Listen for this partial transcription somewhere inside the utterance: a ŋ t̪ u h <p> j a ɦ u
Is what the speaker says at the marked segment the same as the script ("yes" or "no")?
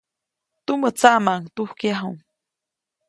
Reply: no